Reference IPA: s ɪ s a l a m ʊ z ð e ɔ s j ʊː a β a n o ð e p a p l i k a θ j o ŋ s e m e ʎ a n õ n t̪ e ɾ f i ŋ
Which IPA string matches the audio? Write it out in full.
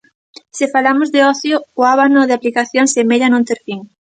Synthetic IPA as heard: s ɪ f a l a m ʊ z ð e ɔ θ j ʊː a β a n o ð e a p l i k a θ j o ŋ s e m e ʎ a n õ n t̪ e ɾ f i ŋ